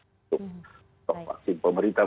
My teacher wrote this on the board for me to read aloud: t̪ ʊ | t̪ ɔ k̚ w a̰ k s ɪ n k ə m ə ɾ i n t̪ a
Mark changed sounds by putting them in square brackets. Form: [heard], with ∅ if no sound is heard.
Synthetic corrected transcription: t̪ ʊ | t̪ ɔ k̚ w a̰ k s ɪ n [p] ə m ə ɾ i n t̪ a